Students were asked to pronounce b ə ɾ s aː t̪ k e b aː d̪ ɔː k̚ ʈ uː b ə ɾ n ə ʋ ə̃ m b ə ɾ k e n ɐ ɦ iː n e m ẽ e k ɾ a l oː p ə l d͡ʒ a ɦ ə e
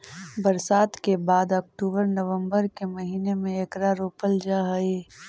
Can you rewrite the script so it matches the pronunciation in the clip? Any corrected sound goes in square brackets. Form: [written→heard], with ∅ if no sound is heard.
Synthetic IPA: b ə ɾ s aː t̪ k e b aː d̪ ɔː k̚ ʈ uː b ə ɾ n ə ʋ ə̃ m b ə ɾ k e [n→m] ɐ ɦ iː n e m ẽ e k ɾ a [l→ɾ] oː p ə l d͡ʒ a ɦ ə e